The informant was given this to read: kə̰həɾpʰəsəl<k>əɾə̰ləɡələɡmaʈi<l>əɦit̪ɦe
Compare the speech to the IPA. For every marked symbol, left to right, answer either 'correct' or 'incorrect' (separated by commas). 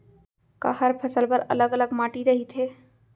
incorrect, incorrect